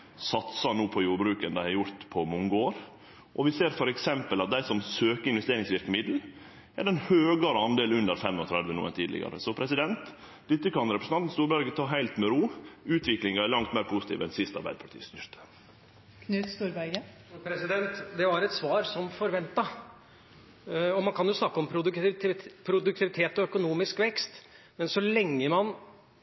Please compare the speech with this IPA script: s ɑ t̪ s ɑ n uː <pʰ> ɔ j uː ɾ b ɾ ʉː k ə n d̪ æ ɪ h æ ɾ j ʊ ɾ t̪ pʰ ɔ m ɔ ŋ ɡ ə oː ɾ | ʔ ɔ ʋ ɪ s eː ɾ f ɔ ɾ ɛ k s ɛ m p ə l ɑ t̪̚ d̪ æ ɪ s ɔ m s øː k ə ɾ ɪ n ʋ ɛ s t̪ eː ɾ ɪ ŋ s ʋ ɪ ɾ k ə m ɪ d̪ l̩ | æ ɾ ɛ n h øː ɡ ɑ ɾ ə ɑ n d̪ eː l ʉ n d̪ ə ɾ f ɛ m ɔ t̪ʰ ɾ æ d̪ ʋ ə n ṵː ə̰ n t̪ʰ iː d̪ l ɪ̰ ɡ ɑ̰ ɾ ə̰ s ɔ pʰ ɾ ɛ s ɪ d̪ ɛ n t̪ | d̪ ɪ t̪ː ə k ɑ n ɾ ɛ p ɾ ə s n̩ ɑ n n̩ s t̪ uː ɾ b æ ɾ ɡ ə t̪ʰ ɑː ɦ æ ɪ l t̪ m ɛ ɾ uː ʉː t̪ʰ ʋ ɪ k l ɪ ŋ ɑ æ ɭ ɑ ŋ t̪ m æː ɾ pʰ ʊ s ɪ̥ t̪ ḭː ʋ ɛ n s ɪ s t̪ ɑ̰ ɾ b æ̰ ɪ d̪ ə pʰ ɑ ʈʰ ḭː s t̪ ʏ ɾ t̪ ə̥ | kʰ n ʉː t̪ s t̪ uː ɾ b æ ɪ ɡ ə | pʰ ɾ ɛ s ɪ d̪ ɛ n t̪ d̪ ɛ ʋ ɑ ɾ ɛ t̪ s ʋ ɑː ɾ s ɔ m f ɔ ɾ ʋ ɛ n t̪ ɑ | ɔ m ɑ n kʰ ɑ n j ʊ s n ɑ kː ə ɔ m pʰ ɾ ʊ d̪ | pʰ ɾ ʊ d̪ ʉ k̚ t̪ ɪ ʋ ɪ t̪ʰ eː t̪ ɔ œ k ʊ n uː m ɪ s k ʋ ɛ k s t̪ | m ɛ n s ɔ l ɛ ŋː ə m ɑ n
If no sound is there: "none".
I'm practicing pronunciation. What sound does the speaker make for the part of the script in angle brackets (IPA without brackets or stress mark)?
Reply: pʰ